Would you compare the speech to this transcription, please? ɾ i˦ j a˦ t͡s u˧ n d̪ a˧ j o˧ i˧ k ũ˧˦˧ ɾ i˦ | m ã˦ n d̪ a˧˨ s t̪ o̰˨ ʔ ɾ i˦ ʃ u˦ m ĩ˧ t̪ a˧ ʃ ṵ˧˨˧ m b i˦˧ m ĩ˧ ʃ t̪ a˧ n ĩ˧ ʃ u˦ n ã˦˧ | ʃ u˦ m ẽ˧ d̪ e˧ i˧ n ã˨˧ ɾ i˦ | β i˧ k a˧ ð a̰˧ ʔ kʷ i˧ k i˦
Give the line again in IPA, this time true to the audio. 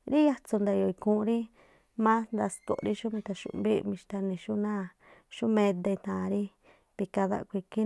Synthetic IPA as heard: ɾ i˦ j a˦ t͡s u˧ n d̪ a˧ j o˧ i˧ k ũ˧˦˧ ɾ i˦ | m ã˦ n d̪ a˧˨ s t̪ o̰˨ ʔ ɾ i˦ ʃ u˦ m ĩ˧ t̪ a˧ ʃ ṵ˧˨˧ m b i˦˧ m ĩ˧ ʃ t̪ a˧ n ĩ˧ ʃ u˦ n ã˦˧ | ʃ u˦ m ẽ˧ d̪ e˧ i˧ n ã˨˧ ɾ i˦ | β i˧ k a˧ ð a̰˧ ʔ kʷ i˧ k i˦